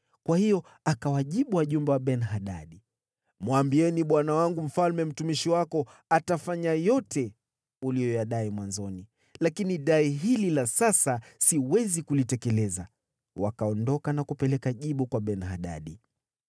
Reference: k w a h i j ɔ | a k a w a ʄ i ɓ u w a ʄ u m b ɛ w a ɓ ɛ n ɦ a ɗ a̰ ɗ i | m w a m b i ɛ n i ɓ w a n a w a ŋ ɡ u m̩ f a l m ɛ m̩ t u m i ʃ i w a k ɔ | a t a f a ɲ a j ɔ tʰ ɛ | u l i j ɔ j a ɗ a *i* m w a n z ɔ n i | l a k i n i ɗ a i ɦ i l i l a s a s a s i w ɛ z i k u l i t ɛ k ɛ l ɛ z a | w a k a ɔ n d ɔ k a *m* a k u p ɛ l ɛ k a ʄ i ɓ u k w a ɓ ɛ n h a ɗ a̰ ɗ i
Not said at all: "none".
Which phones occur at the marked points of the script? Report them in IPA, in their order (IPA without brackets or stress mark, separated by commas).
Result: i, n